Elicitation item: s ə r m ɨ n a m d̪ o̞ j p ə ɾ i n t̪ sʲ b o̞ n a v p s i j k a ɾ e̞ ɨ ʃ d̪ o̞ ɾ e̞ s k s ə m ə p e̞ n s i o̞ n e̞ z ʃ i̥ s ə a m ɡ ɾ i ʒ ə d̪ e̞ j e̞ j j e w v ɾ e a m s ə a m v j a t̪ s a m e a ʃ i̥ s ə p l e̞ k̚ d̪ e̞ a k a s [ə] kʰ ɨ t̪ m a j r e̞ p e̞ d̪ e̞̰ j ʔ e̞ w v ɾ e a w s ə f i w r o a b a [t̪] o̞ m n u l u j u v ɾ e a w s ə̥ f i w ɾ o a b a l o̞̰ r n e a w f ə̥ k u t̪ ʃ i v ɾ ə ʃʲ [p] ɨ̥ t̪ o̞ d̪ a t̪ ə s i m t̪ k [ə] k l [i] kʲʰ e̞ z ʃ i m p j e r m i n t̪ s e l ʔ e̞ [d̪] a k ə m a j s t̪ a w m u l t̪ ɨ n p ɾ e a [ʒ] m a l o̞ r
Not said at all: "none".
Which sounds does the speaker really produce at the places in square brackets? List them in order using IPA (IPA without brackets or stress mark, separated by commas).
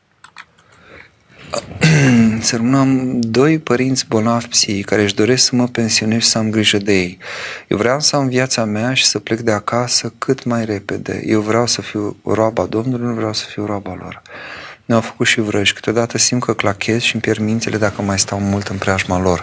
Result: ə, d̪, k, ə, a, d̪, ʒ